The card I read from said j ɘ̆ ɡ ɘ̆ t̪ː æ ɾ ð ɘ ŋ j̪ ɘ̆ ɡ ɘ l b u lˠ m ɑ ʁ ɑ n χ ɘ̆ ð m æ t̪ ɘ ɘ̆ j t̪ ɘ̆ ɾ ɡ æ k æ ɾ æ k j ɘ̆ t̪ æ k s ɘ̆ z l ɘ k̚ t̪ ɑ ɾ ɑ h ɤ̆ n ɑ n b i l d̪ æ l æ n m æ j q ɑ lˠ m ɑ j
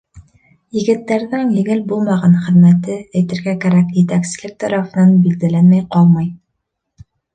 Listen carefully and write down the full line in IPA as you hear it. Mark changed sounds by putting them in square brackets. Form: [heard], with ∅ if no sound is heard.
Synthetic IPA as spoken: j ɘ̆ ɡ ɘ̆ t̪ː æ ɾ ð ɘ ŋ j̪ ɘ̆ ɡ ɘ l b u lˠ m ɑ ʁ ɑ n χ ɘ̆ ð m æ t̪ ɘ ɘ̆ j t̪ ɘ̆ ɾ ɡ æ k æ ɾ æ k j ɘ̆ t̪ æ k s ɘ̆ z l ɘ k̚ t̪ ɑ ɾ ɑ [f] ɤ̆ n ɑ n b i l d̪ æ l æ n m æ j q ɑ lˠ m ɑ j